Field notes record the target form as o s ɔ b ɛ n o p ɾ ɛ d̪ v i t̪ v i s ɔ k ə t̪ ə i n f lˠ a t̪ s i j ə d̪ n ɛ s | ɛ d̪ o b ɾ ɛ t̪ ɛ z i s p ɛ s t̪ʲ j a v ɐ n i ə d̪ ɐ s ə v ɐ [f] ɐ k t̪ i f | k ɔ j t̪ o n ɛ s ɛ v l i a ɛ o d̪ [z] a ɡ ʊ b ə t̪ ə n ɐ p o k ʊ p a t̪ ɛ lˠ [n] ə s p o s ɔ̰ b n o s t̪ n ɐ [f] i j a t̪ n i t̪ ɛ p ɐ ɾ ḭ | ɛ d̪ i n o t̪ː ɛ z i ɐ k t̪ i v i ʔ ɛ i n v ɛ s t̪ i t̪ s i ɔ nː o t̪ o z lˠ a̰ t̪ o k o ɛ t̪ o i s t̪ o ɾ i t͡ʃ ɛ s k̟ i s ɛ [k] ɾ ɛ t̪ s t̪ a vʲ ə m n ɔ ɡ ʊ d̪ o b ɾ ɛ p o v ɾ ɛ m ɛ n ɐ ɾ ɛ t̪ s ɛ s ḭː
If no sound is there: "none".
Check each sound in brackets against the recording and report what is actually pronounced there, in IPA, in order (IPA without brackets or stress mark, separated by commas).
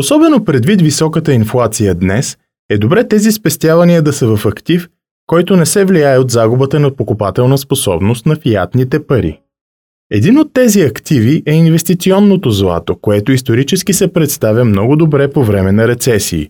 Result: f, z, n, f, p